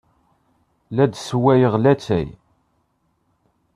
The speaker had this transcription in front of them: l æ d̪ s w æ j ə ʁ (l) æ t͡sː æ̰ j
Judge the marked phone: correct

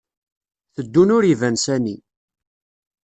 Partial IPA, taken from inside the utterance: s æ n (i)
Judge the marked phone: correct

